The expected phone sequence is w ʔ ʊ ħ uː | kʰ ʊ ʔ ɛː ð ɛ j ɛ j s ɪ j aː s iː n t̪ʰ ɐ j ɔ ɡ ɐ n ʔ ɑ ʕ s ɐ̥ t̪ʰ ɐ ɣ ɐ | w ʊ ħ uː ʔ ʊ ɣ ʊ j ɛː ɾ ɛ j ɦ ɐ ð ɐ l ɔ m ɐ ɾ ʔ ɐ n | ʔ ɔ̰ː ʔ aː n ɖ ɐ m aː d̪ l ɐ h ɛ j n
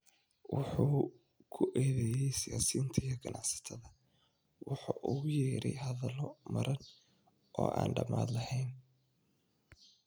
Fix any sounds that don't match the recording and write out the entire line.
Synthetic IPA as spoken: w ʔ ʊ ħ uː | kʰ ʊ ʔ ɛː ð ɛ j ɛ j s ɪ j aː s iː n t̪ʰ ɐ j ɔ ɡ ɐ n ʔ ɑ ʕ s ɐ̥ t̪ʰ ɐ ð ɐ | w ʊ ħ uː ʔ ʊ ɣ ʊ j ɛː ɾ ɛ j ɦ ɐ ð ɐ l ɔ m ɐ ɾ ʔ ɐ n | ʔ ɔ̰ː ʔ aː n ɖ ɐ m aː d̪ l ɐ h ɛ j n